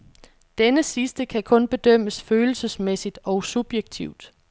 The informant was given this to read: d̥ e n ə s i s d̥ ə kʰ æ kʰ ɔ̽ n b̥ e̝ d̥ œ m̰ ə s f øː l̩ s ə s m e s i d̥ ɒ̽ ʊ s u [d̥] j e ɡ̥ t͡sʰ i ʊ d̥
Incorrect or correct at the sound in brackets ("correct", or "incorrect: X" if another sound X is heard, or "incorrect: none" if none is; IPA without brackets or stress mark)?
incorrect: b̥